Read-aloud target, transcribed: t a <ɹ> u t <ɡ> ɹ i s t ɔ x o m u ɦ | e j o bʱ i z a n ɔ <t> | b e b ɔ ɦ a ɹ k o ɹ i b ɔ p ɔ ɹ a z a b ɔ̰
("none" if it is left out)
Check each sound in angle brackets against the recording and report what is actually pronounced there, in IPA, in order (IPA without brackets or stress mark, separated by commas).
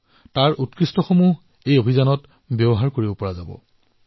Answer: ɹ, k, t